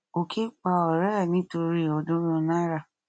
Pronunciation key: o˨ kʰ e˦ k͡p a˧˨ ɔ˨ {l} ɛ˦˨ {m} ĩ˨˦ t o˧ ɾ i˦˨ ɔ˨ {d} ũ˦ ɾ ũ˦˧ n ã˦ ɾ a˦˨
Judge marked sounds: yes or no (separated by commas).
no, no, yes